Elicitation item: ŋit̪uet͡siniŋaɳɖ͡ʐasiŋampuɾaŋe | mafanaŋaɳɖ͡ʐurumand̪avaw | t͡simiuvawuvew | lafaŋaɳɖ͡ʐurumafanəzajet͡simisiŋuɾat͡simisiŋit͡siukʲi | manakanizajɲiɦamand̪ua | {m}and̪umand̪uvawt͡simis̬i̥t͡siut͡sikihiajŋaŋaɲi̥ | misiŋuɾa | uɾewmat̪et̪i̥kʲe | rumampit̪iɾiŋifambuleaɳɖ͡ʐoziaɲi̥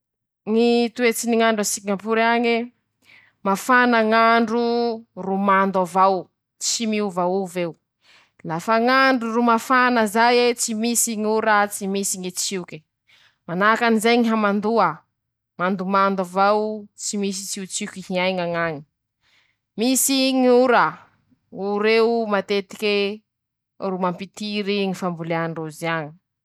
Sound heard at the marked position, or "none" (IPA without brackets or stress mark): m